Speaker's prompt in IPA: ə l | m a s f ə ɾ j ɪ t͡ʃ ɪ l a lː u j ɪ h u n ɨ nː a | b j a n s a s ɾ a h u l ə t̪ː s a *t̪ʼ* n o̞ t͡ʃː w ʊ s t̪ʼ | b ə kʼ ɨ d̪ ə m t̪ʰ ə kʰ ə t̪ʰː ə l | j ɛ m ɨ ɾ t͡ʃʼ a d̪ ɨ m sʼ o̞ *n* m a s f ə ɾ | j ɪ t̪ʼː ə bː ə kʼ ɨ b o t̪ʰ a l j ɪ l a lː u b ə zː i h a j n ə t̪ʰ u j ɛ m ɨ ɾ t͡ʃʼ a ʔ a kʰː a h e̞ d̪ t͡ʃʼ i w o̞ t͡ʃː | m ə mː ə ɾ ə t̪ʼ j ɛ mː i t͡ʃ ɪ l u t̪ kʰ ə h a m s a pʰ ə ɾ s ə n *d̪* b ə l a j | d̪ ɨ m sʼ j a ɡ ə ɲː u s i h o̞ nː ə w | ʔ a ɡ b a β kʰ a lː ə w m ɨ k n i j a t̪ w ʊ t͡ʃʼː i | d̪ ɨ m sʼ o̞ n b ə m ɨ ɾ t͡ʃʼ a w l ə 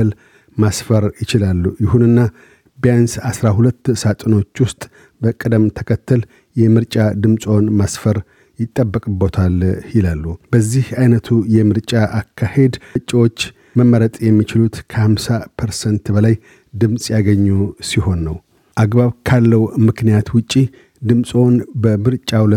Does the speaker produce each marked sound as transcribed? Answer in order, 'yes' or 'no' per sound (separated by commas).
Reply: yes, yes, no